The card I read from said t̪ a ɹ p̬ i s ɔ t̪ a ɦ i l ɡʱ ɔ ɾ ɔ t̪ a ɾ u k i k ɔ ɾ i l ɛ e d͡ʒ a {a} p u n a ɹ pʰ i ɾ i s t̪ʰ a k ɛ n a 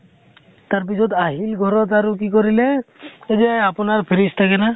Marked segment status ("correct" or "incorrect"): correct